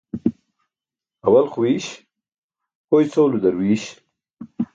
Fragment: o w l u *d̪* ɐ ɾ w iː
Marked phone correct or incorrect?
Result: correct